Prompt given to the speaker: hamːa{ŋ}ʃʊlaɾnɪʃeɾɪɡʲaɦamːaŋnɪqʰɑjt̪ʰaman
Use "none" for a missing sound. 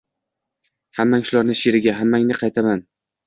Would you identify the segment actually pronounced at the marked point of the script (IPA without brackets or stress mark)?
ŋ